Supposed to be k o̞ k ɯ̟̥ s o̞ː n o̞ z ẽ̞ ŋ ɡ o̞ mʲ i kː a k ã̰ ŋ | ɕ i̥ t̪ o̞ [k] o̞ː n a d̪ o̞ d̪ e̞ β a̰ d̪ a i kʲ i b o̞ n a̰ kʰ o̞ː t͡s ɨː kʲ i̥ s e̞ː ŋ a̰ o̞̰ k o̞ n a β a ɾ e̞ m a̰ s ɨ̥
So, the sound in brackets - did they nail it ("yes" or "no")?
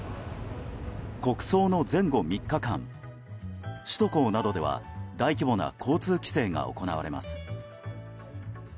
yes